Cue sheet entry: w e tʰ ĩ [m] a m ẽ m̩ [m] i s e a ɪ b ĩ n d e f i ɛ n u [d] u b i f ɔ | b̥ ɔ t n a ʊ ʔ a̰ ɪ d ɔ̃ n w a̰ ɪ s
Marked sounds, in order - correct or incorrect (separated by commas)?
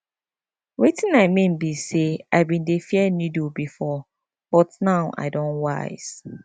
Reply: incorrect, incorrect, correct